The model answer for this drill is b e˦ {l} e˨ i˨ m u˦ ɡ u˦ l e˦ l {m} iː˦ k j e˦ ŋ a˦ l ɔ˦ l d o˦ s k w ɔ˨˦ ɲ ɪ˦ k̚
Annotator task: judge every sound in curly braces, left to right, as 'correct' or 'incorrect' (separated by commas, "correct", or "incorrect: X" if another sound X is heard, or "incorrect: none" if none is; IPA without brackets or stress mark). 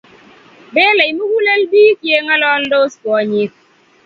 correct, incorrect: b